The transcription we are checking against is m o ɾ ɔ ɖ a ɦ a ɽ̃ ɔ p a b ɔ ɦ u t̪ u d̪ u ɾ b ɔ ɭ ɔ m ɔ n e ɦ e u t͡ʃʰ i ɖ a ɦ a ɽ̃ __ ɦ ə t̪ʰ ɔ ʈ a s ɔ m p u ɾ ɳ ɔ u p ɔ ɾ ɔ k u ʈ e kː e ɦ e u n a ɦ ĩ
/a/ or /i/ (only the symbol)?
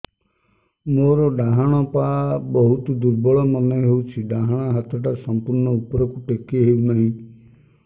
a